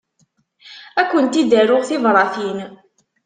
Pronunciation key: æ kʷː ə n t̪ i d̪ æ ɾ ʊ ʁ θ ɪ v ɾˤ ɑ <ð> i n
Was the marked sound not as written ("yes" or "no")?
yes